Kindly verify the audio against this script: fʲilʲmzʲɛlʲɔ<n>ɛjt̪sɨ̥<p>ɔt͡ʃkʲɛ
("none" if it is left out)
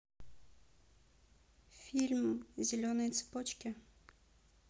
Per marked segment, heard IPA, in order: n, p

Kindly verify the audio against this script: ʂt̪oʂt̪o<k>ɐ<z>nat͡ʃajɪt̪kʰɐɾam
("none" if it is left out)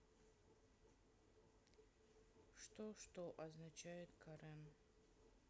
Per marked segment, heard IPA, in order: ʔ, z

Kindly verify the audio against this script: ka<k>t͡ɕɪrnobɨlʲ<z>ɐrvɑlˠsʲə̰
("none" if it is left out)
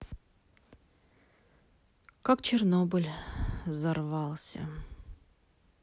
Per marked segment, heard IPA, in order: k, z

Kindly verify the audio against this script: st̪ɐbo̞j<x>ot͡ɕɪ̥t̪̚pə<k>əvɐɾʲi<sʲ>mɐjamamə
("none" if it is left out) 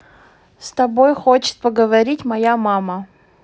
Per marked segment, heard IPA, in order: x, ɡ, tʲ

